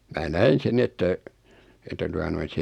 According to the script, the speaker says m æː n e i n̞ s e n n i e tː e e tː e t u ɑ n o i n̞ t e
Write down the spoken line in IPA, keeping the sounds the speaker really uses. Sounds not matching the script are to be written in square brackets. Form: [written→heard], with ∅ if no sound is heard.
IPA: m æː n [e→æ] i n̞ s e n n i e tː [e→æ] e tː [e→æ] t u ɑ n o i n̞ [t→s] e

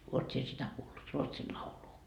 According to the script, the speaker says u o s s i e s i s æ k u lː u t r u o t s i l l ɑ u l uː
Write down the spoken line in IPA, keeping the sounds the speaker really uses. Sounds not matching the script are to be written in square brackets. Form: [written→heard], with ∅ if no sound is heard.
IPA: u o [s→t] s i e s i [s→t] æ k [u→uː] lː u t r u o t s i l l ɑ u l uː

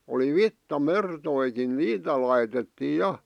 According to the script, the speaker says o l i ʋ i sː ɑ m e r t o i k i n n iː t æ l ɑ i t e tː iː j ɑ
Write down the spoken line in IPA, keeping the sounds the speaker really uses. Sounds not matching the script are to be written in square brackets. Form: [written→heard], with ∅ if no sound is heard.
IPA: o l i ʋ i [sː→tː] ɑ m e r t o i k i n n iː t æ l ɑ i t e tː iː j ɑ

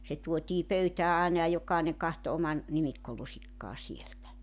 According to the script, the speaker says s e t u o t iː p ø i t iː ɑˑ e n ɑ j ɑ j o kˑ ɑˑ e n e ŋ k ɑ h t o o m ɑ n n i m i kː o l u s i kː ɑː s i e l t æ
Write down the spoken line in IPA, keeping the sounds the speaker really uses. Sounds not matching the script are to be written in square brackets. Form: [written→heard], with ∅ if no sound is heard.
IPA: s e t u o t iː p ø [i→y] t [iː→æː] ɑˑ e n ɑ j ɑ j o kˑ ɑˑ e n e ŋ k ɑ h t o o m ɑ n n i m i kː o l u s i kː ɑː s i e l t æ

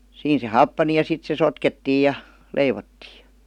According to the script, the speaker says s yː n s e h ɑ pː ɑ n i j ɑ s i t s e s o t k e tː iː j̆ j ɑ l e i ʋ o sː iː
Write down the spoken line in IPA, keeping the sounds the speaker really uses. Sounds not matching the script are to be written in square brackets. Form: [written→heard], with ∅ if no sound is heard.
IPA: s [yː→iː] n s e h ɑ pː ɑ n i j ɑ s i t s e s o t k e tː iː j̆ j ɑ l e i ʋ o [sː→tː] iː

